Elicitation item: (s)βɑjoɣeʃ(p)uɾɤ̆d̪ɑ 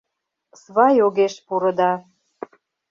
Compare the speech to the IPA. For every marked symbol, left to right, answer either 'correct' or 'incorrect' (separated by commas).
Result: correct, correct